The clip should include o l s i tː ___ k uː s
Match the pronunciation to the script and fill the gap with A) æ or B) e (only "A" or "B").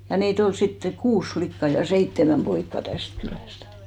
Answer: B